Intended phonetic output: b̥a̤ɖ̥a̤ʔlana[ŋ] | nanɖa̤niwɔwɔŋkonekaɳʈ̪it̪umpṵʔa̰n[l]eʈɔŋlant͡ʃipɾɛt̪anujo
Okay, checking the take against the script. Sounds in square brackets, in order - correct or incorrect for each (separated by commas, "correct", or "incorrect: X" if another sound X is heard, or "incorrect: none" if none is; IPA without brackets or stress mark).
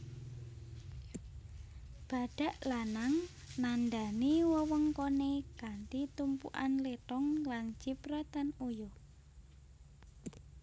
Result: correct, correct